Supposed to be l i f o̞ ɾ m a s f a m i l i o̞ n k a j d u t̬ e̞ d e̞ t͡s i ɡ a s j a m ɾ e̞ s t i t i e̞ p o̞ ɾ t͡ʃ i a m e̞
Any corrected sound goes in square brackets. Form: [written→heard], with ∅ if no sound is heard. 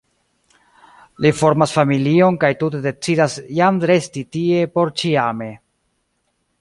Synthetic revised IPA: l i f o̞ ɾ m a s f a m i l i o̞ n k a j [d→t] u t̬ e̞ d e̞ t͡s i [ɡ→d] a s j a m ɾ e̞ s t i t i e̞ p o̞ ɾ t͡ʃ i a m e̞